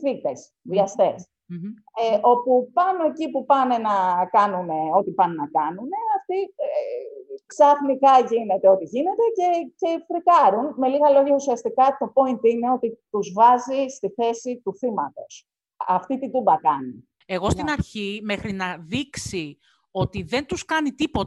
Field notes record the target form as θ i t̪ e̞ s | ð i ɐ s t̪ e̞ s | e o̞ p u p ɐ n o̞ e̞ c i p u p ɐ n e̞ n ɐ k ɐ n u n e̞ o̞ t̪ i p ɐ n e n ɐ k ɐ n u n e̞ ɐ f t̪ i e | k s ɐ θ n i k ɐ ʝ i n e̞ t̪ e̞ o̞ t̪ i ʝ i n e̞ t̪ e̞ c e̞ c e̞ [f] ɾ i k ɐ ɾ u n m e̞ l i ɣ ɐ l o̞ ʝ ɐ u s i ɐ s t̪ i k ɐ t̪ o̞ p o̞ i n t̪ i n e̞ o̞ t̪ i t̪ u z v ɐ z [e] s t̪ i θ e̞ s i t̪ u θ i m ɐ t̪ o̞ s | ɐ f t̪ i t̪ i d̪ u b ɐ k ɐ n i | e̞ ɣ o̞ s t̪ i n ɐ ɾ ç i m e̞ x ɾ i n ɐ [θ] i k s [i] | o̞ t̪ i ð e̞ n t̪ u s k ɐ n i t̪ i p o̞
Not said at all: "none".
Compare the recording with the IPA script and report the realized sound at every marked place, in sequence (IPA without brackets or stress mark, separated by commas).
f, i, ð, i